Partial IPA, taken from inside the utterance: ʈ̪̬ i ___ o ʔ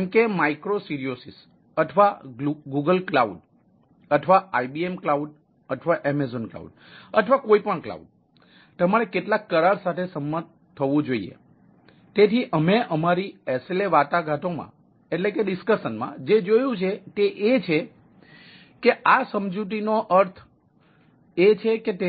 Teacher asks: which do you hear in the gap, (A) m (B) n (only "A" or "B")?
B